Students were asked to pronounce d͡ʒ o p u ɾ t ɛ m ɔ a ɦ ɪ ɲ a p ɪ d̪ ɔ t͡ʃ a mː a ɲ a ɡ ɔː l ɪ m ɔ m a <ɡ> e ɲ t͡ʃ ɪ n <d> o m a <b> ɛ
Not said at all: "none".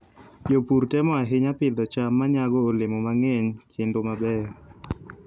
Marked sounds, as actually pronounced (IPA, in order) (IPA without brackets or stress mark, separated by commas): ŋ, d, b